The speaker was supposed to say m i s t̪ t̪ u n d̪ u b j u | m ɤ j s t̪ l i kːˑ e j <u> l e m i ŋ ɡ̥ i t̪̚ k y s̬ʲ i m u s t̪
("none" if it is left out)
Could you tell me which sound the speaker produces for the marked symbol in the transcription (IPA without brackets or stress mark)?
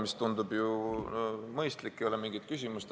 o